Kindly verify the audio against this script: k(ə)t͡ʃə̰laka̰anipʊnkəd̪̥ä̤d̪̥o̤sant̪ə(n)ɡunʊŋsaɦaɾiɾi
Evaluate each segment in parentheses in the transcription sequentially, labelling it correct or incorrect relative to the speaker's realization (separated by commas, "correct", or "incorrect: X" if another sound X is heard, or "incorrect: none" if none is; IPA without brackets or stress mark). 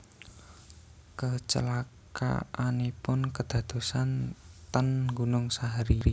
correct, correct